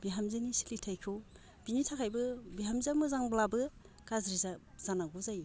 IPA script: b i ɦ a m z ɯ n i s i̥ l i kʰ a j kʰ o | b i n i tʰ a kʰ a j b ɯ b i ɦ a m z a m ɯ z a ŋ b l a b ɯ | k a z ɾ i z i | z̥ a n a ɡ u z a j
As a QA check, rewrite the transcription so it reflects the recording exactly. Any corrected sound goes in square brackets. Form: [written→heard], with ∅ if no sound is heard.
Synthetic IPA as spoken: b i ɦ a m z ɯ n i s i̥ l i [kʰ→tʰ] a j kʰ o | b i n i tʰ a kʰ a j b ɯ b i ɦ a m z a m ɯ z a ŋ b l a b ɯ | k a z ɾ i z [i→a] | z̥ a n a ɡ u z a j